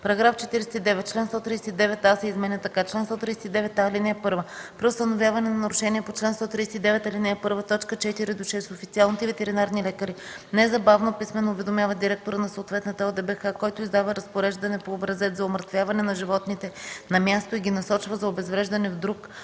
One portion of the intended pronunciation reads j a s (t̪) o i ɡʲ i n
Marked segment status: correct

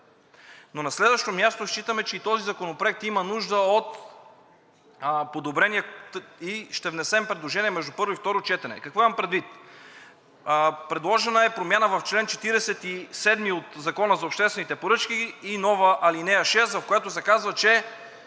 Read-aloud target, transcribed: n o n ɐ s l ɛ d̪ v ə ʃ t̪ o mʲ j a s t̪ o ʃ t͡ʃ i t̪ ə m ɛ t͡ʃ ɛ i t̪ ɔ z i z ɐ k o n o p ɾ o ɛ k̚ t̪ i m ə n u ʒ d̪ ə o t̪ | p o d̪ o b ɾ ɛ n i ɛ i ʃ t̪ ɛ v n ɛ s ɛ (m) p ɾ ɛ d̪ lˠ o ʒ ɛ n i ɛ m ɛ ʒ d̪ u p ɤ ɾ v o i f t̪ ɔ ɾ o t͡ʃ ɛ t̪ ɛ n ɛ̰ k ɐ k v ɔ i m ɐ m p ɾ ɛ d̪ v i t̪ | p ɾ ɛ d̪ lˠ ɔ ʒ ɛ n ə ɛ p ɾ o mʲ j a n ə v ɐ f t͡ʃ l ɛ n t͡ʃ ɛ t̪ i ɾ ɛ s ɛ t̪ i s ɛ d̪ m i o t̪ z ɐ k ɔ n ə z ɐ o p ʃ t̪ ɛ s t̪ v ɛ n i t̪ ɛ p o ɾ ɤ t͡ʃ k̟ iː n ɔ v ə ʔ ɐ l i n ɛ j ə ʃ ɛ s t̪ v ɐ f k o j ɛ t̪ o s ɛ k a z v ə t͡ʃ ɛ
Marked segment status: correct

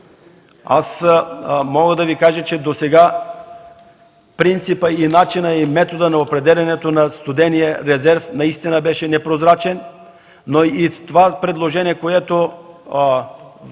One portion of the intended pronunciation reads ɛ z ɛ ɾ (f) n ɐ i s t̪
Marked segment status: correct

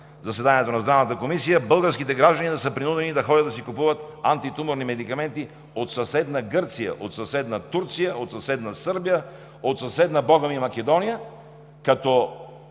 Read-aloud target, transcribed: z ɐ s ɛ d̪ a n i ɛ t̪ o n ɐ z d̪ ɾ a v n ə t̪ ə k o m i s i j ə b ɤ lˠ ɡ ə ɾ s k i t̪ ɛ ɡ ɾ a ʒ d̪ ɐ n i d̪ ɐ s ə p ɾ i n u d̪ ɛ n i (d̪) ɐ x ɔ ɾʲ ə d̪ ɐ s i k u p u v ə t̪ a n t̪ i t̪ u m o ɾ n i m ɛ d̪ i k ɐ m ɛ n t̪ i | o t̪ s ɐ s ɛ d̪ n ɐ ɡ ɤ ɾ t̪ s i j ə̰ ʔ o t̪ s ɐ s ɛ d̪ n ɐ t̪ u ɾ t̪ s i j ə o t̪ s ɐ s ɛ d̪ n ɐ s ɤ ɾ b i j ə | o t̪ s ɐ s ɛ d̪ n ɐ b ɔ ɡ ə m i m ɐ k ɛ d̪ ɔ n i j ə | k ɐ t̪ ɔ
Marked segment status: correct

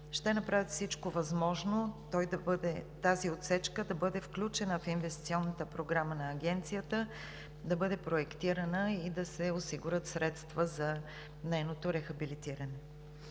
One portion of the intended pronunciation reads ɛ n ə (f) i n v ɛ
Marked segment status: correct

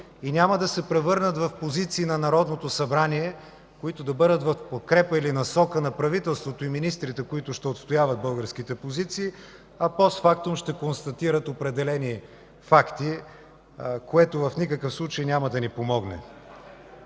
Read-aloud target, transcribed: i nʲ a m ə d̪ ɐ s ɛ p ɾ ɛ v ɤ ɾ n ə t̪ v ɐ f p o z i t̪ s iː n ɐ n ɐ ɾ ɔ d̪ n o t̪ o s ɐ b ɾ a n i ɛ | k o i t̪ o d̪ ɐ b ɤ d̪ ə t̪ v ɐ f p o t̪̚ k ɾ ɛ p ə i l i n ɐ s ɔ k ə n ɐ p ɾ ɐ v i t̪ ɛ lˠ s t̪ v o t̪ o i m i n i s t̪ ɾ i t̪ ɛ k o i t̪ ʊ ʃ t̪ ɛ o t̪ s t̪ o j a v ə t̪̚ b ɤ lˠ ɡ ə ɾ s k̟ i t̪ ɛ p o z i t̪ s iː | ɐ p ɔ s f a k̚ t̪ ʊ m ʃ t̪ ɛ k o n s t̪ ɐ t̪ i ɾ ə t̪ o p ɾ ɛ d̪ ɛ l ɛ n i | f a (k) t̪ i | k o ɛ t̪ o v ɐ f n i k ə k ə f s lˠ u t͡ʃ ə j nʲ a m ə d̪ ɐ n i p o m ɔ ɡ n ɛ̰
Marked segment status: correct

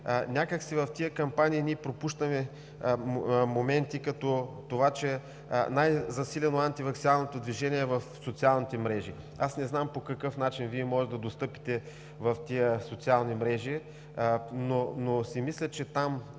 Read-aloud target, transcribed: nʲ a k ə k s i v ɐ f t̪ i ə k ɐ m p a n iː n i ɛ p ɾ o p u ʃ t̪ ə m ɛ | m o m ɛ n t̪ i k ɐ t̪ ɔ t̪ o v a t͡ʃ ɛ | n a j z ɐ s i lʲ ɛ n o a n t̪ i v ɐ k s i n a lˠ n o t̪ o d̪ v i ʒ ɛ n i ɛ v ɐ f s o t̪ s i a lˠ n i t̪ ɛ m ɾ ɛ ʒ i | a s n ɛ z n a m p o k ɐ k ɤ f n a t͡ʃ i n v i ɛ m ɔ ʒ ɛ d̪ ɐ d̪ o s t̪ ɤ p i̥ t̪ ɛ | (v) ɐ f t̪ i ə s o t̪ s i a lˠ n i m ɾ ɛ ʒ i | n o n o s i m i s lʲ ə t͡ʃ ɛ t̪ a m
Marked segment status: correct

